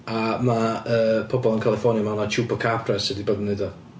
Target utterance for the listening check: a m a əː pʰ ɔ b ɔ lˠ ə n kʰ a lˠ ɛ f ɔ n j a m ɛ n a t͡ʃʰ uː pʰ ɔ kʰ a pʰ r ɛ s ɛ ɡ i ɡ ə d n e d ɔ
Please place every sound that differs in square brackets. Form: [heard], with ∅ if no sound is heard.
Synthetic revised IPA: a m a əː pʰ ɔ b ɔ lˠ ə n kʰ a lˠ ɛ f ɔ n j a m [a] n a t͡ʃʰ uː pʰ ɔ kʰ a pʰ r ɛ s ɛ [d] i [b] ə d n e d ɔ